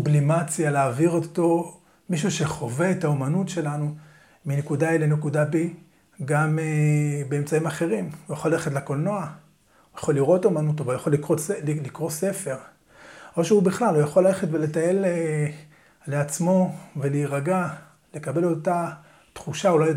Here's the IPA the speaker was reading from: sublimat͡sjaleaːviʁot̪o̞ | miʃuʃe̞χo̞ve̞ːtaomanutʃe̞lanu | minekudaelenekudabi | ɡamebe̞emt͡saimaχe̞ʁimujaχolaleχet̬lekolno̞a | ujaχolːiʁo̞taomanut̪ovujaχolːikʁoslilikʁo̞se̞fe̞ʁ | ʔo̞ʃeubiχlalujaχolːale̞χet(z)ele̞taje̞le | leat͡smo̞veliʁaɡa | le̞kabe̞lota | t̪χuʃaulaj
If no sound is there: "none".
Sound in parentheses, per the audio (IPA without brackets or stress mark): v